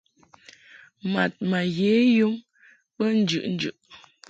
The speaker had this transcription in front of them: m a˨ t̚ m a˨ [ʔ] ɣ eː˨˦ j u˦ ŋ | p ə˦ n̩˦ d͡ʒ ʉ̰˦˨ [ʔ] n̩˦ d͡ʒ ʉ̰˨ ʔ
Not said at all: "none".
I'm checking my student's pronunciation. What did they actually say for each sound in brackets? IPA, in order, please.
none, ʔ

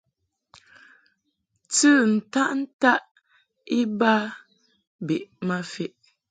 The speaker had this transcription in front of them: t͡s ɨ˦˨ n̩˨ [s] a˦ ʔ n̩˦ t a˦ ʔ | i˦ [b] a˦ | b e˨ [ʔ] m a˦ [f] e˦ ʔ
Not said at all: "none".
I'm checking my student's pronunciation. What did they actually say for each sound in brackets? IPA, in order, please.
t, b, ʔ, f

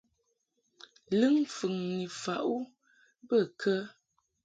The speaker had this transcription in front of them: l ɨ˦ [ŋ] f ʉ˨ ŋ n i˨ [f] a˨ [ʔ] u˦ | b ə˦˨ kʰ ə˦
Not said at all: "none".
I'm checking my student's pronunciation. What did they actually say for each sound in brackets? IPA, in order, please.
ŋ, f, ʔ

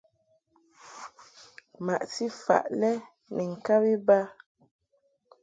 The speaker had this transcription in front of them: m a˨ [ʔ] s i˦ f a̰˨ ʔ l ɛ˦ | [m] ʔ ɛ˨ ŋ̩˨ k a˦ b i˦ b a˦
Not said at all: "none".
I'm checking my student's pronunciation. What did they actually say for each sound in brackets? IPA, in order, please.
ʔ, n

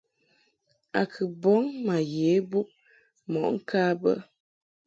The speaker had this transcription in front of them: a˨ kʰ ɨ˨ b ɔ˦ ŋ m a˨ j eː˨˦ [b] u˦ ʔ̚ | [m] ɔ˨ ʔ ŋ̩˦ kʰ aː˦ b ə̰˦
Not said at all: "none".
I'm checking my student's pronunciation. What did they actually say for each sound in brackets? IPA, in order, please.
b, m

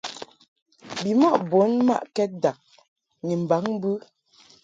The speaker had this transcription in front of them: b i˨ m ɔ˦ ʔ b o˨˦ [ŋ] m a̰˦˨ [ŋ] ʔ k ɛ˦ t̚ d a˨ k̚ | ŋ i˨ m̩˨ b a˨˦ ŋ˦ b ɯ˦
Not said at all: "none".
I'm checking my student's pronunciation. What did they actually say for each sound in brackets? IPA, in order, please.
n, none

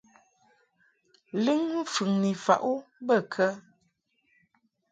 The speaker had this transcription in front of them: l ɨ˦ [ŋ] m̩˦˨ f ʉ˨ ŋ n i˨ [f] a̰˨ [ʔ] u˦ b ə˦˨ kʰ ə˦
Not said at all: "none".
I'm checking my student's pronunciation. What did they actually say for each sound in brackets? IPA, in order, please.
ŋ, f, ʔ

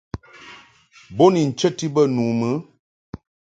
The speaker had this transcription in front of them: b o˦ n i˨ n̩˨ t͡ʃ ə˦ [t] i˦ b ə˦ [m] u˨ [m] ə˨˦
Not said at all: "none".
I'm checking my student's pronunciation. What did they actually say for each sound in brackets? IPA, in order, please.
t, n, m

